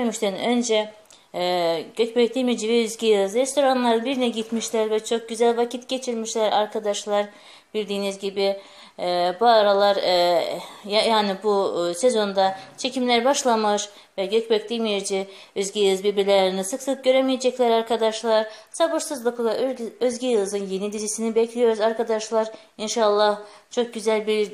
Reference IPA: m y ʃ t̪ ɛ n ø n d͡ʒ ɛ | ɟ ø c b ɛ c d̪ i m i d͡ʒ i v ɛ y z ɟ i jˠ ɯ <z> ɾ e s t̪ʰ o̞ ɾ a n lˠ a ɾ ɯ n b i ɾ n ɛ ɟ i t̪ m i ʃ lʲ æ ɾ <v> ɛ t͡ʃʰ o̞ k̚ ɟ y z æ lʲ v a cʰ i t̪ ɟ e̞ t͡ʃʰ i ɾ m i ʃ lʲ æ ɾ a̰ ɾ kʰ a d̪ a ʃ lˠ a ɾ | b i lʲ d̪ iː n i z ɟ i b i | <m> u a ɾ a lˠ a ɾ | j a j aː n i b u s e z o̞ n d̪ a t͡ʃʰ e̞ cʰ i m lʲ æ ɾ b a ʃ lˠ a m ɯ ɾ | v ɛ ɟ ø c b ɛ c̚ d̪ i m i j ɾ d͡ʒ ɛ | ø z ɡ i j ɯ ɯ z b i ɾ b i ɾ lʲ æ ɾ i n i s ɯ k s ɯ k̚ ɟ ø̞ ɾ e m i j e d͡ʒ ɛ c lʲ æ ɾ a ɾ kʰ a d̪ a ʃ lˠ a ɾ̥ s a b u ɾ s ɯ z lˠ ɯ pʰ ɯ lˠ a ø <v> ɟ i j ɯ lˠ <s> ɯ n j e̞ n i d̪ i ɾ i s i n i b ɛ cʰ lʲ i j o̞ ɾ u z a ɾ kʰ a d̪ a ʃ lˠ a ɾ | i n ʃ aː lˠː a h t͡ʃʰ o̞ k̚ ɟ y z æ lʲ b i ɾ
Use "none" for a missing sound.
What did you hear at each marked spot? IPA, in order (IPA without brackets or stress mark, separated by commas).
z, v, b, z, z